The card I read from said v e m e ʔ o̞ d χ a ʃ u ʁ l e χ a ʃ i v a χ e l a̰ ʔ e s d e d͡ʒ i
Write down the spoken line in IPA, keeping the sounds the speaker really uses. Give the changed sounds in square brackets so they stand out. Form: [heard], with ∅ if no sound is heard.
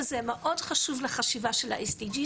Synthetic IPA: [z] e m e ʔ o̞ d χ a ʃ u [v] l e χ a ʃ i v a [ʃ] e l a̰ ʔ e s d [i] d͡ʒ i